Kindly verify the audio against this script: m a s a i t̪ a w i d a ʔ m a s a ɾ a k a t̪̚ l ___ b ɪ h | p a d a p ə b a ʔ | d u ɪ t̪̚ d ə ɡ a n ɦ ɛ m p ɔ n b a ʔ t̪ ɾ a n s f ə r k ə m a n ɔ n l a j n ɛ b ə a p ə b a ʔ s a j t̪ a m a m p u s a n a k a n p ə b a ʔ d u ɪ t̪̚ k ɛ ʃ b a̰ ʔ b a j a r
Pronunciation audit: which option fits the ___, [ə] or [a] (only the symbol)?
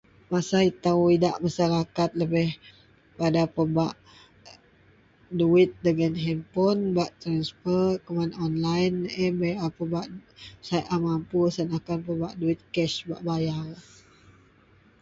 ə